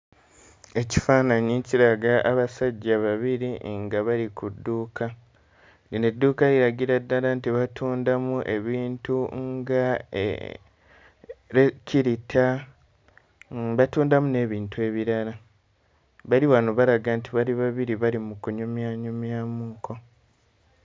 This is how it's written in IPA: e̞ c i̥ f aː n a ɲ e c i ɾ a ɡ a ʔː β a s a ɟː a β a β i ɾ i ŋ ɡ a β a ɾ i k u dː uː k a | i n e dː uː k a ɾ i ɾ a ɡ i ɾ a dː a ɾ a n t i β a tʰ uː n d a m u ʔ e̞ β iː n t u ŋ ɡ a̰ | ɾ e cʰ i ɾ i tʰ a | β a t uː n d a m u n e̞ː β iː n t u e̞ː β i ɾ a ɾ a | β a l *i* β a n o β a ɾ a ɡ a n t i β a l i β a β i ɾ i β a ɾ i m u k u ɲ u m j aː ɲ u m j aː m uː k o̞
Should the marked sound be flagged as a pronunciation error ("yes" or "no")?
no